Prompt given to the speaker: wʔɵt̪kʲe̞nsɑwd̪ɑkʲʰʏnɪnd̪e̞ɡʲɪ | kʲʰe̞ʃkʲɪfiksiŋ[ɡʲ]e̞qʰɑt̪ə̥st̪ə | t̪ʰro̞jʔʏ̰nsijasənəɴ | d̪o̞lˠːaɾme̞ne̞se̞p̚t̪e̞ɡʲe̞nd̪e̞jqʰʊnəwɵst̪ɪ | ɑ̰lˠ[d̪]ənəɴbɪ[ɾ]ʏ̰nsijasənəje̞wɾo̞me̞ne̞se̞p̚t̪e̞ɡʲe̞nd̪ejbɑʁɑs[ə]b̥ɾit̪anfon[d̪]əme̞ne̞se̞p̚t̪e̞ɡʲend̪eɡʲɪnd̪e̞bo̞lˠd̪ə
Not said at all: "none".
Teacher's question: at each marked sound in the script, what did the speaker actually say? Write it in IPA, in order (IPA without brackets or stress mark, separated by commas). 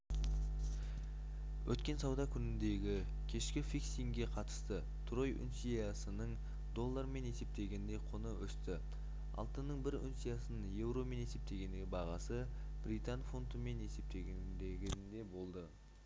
ɡʲ, t̪, ɾ, ə, t̪